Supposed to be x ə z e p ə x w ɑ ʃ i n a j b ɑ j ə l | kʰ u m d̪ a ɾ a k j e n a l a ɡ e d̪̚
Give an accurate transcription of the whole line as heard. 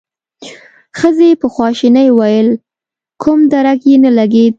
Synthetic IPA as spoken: x ə z e p ə x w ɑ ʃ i n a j w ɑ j ə l | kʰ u m d̪ a ɾ a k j e n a l a ɡ e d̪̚